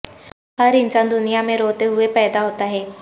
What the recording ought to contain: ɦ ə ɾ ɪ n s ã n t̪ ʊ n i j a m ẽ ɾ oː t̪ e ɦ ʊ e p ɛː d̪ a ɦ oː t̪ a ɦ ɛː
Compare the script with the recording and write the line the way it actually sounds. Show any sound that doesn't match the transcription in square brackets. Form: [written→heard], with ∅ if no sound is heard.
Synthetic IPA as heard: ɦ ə ɾ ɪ n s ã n [t̪→d̪] ʊ n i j a m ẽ ɾ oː t̪ e ɦ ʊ e p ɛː d̪ a ɦ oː t̪ a ɦ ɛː